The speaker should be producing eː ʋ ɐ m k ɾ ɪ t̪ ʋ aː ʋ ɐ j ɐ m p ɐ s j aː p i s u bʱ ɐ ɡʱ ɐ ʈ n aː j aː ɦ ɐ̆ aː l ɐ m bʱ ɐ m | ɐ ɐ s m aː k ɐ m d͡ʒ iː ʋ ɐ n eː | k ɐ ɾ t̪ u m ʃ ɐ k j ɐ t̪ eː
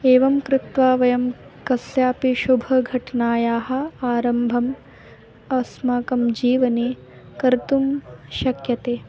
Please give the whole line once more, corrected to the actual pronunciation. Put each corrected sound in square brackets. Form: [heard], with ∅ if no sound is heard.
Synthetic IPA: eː ʋ ɐ m k ɾ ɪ t̪ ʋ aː ʋ ɐ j ɐ m [k] ɐ s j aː p i [ʃ] u bʱ ɐ ɡʱ ɐ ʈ n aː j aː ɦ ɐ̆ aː [ɾ] ɐ m bʱ ɐ m | ɐ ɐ s m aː k ɐ m d͡ʒ iː ʋ ɐ n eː | k ɐ ɾ t̪ u m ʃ ɐ k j ɐ t̪ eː

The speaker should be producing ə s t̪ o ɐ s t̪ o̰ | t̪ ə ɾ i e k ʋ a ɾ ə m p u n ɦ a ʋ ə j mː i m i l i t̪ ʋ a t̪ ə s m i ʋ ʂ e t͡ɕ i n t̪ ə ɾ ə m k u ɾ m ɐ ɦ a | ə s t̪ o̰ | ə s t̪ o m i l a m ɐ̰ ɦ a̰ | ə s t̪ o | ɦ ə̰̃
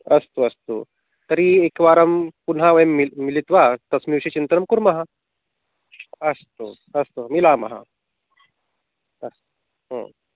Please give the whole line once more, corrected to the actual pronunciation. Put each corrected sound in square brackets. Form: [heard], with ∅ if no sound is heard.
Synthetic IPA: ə s t̪ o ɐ s t̪ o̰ | t̪ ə ɾ i e k ʋ a ɾ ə m p u n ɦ a ʋ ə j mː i m i l i t̪ ʋ a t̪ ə s m i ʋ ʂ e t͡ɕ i n t̪ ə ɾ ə m k u ɾ m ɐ ɦ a | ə s t̪ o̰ | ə s t̪ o m i l a m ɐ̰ ɦ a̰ | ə s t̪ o | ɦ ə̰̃

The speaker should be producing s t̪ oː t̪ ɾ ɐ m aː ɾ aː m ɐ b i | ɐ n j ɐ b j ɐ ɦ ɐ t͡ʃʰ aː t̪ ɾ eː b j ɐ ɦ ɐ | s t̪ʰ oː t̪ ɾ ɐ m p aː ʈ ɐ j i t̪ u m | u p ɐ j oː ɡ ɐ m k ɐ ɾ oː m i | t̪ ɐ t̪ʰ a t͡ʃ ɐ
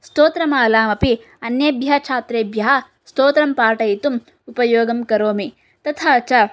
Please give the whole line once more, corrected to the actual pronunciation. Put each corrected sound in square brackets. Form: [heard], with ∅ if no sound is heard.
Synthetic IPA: s t̪ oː t̪ ɾ ɐ m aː [l] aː m ɐ [p] i | ɐ n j ɐ b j ɐ ɦ ɐ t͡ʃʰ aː t̪ ɾ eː b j ɐ ɦ ɐ | s [t̪] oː t̪ ɾ ɐ m p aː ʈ ɐ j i t̪ u m | u p ɐ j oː ɡ ɐ m k ɐ ɾ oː m i | t̪ ɐ t̪ʰ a t͡ʃ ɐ

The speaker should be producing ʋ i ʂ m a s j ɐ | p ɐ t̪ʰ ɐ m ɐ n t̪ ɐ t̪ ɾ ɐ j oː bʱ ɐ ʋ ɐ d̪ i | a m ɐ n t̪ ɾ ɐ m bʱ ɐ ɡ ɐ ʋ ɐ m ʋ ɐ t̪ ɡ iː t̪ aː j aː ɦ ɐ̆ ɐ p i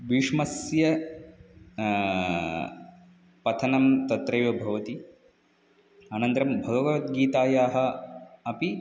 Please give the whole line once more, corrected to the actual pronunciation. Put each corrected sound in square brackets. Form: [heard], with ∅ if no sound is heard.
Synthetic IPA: ʋ i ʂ m [ɐ] s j ɐ | p ɐ t̪ʰ ɐ [n] ɐ [m] t̪ ɐ t̪ ɾ ɐ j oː bʱ ɐ ʋ ɐ [t̪] i | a [n] ɐ n t̪ ɾ ɐ m bʱ ɐ ɡ ɐ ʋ ɐ [∅] ʋ ɐ t̪ ɡ iː t̪ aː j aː ɦ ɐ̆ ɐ p i

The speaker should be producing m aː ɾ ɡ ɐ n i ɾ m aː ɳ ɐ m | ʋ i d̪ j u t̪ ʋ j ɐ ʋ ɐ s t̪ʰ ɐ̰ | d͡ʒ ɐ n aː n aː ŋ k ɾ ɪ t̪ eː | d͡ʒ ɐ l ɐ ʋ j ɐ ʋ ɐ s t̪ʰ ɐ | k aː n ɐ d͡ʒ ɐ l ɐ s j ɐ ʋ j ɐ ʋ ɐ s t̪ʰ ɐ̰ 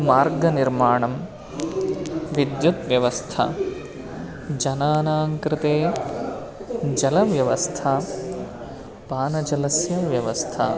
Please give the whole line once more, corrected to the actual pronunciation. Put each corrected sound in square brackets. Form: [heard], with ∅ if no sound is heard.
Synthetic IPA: m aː ɾ ɡ ɐ n i ɾ m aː ɳ ɐ m | ʋ i d̪ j u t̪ ʋ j ɐ ʋ ɐ s t̪ʰ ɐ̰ | d͡ʒ ɐ n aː n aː ŋ k ɾ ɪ t̪ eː | d͡ʒ ɐ l ɐ ʋ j ɐ ʋ ɐ s t̪ʰ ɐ | [p] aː n ɐ d͡ʒ ɐ l ɐ s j ɐ ʋ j ɐ ʋ ɐ s t̪ʰ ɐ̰

